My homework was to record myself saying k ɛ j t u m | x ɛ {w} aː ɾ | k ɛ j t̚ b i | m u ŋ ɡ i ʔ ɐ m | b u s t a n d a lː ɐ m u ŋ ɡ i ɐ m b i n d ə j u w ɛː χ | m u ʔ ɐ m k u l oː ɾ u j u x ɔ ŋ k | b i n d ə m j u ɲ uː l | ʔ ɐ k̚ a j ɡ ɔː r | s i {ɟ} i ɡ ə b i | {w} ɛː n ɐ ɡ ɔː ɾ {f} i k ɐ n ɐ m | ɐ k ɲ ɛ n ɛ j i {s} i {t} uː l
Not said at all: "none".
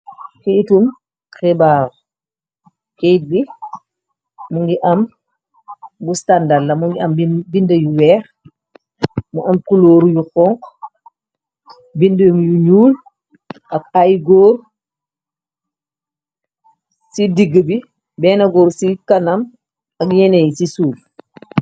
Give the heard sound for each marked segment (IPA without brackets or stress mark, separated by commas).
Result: b, d, b, s, s, s